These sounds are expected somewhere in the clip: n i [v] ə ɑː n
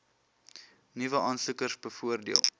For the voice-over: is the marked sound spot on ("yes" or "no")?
yes